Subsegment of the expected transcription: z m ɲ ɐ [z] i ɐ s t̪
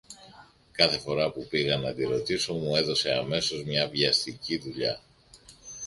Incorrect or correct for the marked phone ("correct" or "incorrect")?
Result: incorrect